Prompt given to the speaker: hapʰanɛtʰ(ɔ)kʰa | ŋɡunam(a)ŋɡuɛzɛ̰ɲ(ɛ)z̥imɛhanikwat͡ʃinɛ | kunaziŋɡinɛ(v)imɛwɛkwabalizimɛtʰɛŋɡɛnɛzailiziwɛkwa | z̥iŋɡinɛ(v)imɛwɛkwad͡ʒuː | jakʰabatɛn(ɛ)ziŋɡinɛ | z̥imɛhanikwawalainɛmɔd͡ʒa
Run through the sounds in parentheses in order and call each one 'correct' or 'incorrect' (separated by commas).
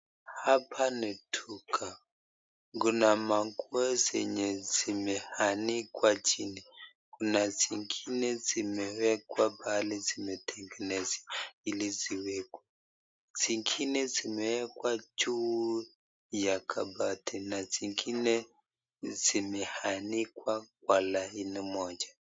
incorrect, correct, correct, incorrect, incorrect, incorrect